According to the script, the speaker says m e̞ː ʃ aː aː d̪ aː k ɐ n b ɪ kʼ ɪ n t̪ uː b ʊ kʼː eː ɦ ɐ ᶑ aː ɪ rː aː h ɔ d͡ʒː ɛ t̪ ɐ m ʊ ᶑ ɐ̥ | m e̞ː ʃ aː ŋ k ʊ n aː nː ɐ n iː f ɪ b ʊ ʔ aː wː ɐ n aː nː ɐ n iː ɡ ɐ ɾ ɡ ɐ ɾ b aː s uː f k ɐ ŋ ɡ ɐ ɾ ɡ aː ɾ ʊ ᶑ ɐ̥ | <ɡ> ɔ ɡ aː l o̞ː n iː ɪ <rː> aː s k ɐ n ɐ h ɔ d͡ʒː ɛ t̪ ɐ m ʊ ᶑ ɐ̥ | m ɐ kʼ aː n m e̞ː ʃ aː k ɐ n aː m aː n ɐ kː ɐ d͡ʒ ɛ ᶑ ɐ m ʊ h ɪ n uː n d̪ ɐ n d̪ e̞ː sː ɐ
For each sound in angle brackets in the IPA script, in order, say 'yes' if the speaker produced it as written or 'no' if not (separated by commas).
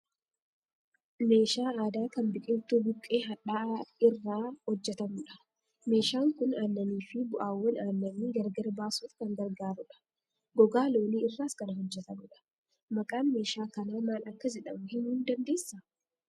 yes, yes